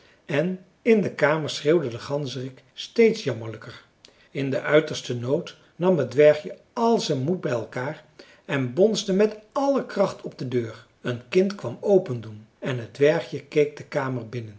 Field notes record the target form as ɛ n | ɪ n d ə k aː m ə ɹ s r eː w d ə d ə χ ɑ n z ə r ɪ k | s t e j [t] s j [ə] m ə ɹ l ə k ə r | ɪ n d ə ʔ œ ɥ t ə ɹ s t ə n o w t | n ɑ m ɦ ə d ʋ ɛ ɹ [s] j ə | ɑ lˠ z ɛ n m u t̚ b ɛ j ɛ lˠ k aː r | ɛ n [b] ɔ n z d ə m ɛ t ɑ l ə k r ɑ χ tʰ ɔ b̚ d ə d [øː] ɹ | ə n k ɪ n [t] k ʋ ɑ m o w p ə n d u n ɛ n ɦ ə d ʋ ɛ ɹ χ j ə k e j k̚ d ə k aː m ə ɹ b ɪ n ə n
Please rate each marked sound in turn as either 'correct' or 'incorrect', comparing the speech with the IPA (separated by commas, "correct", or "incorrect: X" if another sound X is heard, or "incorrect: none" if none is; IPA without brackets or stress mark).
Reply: correct, incorrect: ɑ, incorrect: χ, correct, correct, correct